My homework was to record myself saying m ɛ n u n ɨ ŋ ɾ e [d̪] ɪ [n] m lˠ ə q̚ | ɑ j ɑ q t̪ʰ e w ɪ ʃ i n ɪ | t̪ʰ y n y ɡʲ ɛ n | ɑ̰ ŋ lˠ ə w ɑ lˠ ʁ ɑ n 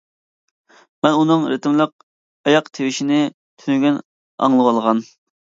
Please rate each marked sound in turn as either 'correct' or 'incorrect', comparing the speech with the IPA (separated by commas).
incorrect, incorrect